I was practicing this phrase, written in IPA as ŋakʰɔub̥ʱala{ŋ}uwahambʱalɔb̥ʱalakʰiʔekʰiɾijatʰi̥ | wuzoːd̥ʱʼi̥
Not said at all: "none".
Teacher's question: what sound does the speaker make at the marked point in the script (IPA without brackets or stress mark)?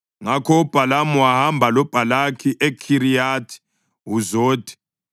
m